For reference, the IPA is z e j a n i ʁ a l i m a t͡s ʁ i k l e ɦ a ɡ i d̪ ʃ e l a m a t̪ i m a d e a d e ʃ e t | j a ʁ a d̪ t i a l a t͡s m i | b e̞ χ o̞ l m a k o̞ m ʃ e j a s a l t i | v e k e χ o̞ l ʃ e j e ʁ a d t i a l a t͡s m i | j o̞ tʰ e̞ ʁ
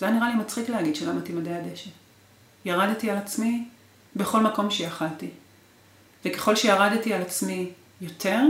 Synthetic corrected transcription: z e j a n i ʁ a l i m a t͡s χ i k l e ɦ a ɡ i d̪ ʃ e l a m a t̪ i m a d e a d e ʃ e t | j a ʁ a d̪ t i a l a t͡s m i | b e̞ χ o̞ l m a k o̞ m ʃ e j a χ a l t i | v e k e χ o̞ l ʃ e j a ʁ a d t i a l a t͡s m i | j o̞ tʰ e̞ ʁ